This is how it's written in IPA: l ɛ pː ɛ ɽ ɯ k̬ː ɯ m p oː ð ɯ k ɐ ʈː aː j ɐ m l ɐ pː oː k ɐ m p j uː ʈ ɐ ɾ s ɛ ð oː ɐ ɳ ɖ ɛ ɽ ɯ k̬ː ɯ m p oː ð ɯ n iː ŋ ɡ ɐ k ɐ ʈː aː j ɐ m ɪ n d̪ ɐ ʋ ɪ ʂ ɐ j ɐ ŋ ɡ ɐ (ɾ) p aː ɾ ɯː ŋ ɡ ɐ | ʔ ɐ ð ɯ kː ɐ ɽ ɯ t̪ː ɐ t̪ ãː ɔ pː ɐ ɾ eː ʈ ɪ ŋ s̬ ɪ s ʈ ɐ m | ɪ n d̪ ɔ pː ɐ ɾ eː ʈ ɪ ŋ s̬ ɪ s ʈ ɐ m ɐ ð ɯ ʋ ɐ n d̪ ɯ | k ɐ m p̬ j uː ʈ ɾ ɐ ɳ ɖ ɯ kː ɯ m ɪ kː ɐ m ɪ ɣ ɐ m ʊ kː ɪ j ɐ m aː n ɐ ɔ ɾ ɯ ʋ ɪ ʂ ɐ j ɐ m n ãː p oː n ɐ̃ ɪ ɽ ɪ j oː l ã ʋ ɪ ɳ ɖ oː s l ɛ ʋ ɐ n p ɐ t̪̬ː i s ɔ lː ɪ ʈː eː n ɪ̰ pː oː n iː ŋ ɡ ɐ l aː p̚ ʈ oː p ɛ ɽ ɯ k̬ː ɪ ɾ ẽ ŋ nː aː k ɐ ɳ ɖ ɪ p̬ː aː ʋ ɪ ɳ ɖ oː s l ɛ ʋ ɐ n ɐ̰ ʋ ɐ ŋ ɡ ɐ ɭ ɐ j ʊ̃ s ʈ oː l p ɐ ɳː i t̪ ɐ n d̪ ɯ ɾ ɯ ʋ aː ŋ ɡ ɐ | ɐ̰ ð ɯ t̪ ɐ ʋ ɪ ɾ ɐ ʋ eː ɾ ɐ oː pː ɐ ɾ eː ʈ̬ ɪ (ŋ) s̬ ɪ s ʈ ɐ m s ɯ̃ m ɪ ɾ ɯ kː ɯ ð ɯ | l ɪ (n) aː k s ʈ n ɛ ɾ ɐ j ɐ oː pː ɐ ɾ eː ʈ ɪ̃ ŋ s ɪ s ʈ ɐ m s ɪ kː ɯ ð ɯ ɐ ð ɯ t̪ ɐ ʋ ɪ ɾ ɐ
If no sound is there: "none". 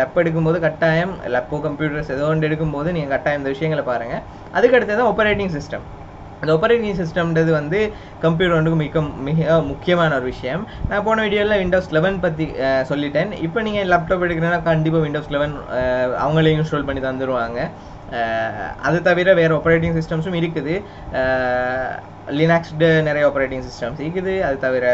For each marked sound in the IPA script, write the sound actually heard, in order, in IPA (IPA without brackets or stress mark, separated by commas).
ɭ, ŋ, n